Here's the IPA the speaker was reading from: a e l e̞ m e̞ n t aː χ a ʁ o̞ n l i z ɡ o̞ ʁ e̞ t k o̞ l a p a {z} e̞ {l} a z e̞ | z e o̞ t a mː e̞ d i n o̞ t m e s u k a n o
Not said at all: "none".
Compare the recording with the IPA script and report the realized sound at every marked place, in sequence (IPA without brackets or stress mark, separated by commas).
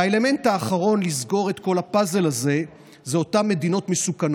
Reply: z, l